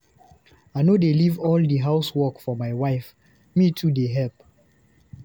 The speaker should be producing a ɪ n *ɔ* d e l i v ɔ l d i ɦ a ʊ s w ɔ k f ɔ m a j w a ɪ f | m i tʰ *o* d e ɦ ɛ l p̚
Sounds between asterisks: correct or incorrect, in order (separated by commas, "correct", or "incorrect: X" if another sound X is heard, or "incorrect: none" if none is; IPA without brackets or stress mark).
incorrect: o, incorrect: u